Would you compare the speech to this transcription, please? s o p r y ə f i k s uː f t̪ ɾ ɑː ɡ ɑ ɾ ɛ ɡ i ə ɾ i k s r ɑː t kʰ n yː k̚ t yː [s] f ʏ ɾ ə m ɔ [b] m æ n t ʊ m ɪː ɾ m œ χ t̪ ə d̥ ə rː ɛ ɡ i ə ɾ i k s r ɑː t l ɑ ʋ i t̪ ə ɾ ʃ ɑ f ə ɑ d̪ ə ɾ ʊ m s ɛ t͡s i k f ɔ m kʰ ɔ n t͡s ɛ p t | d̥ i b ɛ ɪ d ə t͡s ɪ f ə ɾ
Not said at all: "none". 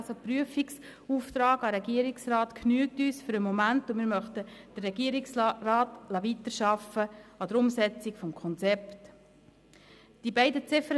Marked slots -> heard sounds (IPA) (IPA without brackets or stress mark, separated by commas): s, none